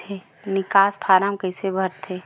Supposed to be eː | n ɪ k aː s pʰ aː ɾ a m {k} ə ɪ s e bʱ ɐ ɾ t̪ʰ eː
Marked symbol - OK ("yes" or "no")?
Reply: yes